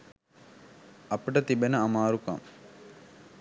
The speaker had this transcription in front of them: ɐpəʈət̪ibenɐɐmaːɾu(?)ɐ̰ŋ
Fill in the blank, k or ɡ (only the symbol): k